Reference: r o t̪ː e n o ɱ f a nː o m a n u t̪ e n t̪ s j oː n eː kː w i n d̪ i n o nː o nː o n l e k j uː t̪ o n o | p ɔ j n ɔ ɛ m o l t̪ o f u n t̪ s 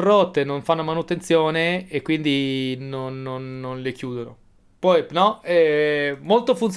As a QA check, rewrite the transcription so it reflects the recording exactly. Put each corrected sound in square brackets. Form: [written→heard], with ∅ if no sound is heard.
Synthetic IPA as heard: r o t̪ː e n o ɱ f a nː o m a n u t̪ e n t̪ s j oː n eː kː w i n d̪ i n o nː o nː o n l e k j uː [t̪→d̪] o n o | p ɔ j n ɔ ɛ m o l t̪ o f u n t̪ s